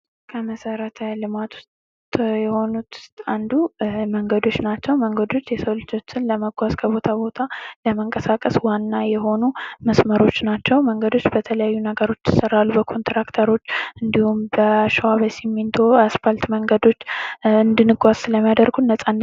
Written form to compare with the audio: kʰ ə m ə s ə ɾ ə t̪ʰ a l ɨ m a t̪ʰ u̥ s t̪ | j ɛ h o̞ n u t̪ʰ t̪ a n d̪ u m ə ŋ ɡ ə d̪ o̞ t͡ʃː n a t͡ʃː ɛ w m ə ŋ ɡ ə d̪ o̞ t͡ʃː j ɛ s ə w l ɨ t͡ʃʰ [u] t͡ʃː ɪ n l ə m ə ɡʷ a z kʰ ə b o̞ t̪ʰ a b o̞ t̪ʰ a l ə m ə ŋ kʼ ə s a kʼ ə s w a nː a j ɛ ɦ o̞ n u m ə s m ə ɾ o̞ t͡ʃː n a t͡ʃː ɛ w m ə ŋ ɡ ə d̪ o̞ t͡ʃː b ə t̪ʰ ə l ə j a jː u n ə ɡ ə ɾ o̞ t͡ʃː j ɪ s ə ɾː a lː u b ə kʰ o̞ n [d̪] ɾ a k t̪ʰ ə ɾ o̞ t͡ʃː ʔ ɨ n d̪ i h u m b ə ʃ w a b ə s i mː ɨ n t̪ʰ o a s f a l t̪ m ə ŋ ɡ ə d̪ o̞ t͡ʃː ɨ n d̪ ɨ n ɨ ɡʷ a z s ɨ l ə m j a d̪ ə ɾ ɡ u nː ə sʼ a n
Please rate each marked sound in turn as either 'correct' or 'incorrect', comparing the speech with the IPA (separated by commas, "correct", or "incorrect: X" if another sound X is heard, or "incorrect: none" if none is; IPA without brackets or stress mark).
incorrect: o, incorrect: t̪